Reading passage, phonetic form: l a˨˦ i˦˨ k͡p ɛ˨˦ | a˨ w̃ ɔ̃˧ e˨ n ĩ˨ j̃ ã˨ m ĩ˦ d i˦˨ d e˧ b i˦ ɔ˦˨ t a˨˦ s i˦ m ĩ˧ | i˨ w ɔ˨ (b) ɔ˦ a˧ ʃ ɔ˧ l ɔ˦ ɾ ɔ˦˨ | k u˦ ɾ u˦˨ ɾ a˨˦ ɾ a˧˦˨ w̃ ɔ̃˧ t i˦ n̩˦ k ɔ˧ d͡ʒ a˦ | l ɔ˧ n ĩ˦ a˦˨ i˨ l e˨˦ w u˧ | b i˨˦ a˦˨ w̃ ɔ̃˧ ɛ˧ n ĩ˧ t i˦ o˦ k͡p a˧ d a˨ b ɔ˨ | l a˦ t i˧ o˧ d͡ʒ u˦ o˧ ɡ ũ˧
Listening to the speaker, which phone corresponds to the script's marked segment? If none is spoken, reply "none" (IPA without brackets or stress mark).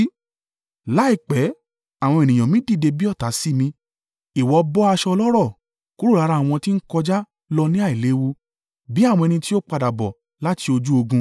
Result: b